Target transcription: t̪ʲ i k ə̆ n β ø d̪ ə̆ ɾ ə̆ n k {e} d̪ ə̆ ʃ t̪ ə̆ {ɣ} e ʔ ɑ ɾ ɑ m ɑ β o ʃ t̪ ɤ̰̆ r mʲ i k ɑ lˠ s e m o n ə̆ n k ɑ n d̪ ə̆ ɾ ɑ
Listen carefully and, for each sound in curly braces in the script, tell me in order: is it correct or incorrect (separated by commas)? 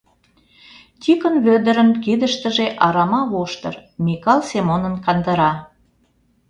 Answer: incorrect, incorrect